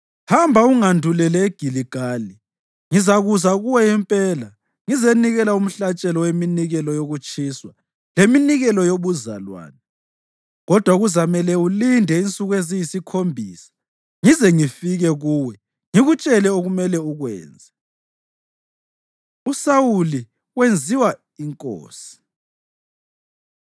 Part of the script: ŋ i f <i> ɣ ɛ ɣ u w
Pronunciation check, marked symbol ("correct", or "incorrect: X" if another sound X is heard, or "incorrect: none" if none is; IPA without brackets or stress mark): correct